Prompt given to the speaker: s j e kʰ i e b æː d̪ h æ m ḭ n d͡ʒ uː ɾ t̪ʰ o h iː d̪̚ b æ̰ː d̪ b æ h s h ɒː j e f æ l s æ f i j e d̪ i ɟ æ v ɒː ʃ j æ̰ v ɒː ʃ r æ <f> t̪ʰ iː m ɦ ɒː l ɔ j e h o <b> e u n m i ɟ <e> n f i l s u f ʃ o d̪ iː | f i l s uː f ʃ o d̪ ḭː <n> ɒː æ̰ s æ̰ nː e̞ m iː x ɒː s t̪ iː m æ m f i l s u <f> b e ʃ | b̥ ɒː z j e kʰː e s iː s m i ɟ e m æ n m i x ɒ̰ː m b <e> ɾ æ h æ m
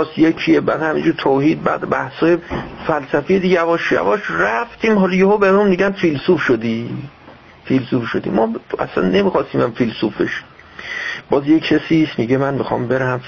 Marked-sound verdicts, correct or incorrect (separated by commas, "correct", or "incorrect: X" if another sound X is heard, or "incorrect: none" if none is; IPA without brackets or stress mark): correct, correct, incorrect: æ, incorrect: m, correct, correct